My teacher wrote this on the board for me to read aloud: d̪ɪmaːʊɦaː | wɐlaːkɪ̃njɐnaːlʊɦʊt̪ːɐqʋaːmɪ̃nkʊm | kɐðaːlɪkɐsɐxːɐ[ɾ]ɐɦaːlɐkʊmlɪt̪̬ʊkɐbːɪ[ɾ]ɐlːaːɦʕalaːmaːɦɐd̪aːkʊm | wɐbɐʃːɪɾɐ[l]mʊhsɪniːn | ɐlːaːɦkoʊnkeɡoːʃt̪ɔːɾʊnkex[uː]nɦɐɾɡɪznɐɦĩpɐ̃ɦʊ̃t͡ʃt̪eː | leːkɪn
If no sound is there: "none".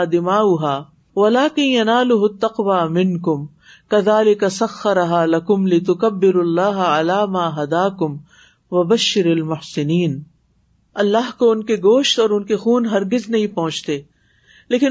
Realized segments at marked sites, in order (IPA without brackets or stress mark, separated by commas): ɾ, ɾ, l, uː